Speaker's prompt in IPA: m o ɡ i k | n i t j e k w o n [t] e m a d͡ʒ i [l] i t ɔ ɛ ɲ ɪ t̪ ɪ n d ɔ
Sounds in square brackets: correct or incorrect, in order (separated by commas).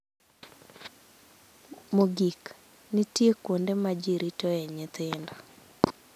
incorrect, incorrect